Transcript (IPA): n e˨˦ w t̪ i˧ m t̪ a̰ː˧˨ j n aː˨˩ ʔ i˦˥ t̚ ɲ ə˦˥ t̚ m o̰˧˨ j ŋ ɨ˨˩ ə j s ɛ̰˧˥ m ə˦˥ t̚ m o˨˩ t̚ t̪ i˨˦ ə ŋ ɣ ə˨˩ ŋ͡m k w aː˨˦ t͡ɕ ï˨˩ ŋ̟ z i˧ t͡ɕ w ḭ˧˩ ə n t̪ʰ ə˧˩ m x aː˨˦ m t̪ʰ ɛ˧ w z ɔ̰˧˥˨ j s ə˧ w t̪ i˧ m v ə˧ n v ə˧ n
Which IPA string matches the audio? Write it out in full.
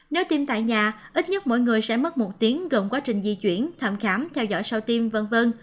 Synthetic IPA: n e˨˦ w t̪ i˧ m t̪ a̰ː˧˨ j ɲ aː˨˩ ʔ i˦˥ t̚ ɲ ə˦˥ t̚ m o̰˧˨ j ŋ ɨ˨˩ ə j s ɛ̰˧˥ m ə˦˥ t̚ m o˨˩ t̚ t̪ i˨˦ ə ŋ ɣ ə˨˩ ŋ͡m k w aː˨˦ t͡ɕ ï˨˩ ŋ̟ z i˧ t͡ɕ w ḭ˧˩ ə n t̪ʰ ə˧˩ m x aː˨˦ m t̪ʰ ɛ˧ w z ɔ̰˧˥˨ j s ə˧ w t̪ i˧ m v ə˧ n v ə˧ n

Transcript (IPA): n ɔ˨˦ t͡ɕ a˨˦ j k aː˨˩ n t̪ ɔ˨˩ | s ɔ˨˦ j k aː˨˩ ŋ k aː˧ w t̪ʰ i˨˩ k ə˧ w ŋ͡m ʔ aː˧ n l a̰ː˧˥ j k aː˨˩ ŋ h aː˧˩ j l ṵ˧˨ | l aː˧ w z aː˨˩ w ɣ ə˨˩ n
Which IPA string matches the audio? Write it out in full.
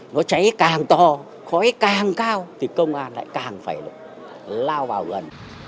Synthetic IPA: n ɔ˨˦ t͡ɕ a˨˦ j k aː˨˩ ŋ t̪ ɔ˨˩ | x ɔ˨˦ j k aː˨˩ ŋ k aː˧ w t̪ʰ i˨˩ k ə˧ w ŋ͡m ʔ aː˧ n l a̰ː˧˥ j k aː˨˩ ŋ f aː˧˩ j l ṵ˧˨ | l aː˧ w v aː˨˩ w ɣ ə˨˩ n

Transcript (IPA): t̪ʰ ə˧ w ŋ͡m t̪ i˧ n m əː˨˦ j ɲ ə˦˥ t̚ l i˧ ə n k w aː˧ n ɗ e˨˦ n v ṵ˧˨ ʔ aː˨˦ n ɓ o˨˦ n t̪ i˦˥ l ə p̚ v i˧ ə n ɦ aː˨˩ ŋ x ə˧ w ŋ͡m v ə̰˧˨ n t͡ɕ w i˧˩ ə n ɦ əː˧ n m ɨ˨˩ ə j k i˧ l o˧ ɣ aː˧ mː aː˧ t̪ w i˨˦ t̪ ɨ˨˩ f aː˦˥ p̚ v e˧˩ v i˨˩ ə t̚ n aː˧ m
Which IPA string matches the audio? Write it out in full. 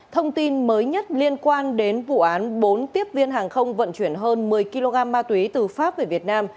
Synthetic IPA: t̪ʰ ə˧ w ŋ͡m t̪ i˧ n m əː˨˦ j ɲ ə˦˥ t̚ l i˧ ə n k w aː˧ n ɗ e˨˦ n v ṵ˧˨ ʔ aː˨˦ n ɓ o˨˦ n t̪ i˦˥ ə p̚ v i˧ ə n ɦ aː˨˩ ŋ x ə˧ w ŋ͡m v ə̰˧˨ n t͡ɕ w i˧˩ ə n ɦ əː˧ n m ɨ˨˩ ə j k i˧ l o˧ ɣ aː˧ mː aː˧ t̪ w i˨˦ t̪ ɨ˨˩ f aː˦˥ p̚ v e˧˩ v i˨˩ ə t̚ n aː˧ m

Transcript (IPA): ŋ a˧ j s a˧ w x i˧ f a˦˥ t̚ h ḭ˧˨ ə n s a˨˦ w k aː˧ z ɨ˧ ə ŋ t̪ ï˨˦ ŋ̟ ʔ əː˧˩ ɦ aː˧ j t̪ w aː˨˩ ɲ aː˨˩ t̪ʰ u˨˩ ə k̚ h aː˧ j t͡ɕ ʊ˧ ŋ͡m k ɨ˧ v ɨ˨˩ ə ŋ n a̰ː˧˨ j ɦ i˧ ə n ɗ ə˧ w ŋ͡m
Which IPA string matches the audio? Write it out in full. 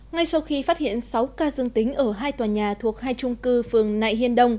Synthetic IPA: ŋ a˧ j s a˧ w x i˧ f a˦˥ t̚ h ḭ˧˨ ə n s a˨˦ w k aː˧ z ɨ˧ ə ŋ t̪ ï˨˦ ŋ̟ ʔ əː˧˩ ɦ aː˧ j t̪ w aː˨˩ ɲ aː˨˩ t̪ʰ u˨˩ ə k̚ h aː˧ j t͡ɕ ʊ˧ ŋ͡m k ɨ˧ f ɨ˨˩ ə ŋ n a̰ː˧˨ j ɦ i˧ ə n ɗ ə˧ w ŋ͡m

